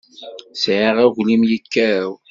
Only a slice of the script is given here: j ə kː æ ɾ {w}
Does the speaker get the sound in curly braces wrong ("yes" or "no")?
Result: no